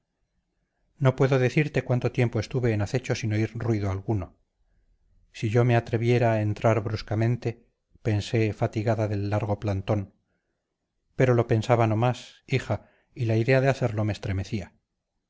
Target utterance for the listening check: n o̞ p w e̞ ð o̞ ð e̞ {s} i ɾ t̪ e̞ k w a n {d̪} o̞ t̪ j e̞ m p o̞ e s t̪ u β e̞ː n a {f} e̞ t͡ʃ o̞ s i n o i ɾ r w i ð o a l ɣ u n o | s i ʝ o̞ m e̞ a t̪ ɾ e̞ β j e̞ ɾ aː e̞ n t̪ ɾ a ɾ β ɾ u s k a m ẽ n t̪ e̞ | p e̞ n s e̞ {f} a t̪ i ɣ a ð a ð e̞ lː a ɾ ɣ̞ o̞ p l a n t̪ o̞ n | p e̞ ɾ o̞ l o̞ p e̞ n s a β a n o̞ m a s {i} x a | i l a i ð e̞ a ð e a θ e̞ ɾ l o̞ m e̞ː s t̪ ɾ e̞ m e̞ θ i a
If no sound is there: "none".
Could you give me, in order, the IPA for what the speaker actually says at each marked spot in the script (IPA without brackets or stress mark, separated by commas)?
θ, t̪, θ, f, i